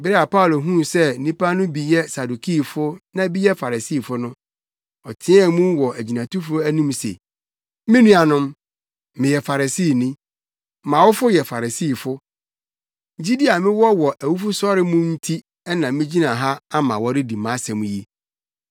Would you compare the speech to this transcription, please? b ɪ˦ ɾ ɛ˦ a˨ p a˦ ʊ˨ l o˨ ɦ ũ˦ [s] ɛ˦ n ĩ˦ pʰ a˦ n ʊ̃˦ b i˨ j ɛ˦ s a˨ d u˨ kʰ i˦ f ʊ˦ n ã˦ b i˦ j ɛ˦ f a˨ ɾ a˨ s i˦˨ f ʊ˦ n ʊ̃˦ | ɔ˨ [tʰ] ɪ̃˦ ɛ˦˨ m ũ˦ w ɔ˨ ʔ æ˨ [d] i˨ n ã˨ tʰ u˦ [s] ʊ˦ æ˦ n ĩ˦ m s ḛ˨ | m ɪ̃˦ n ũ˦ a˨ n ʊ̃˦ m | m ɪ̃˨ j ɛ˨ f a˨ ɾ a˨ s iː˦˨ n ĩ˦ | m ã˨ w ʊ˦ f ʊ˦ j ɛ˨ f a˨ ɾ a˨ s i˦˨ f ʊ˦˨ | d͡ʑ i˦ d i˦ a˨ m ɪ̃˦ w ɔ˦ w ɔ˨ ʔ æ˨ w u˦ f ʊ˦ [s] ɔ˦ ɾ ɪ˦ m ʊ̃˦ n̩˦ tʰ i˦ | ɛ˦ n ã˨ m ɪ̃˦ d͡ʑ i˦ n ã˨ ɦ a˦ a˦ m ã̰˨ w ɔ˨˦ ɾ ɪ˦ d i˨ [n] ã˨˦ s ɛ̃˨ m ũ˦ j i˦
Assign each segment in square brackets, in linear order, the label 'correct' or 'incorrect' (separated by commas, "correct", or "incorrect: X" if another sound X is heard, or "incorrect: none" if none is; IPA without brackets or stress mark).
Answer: correct, correct, incorrect: d͡ʑ, incorrect: f, correct, incorrect: m